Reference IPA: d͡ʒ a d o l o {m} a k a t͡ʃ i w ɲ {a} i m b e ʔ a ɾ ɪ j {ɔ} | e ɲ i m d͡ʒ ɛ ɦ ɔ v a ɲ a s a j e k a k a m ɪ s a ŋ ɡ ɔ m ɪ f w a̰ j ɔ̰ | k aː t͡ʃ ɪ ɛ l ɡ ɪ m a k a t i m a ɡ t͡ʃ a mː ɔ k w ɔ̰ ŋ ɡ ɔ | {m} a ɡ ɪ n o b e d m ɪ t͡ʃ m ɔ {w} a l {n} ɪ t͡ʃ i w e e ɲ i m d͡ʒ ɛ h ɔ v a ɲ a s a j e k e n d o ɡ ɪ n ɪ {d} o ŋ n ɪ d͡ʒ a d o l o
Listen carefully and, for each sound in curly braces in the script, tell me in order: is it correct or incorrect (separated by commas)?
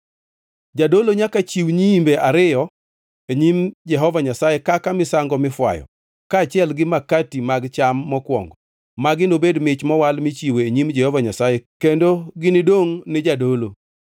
incorrect, incorrect, correct, correct, correct, incorrect, correct